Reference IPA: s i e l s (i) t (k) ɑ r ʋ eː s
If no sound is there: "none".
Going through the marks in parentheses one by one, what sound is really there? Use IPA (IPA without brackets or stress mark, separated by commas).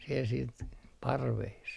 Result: iː, p